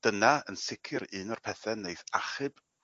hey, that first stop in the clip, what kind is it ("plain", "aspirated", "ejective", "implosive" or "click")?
plain